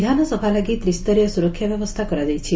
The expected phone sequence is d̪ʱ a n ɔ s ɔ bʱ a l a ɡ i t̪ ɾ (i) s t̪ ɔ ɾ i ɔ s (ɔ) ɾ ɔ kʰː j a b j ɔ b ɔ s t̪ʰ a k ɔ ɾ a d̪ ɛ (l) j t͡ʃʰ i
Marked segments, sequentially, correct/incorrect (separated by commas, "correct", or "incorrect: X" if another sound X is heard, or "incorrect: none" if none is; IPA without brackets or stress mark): correct, incorrect: u, incorrect: none